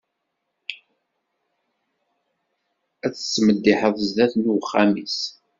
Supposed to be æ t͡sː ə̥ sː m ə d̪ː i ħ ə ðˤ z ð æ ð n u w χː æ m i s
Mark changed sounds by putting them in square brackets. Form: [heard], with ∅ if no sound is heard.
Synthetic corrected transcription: æ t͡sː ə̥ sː m ə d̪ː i ħ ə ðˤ z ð æ [θ] n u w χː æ m i s